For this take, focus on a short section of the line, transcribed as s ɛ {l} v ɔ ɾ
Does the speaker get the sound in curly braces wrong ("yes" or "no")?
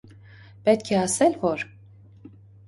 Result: no